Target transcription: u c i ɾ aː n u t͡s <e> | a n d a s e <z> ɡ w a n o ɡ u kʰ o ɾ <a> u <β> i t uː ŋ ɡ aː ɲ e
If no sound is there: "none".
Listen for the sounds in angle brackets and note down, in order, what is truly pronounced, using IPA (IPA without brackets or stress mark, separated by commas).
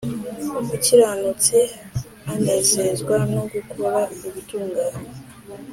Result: e, z, a, β